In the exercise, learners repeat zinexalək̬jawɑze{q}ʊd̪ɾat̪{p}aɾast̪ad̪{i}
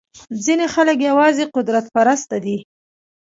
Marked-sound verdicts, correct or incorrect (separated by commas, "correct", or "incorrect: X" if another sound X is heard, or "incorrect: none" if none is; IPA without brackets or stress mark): correct, correct, correct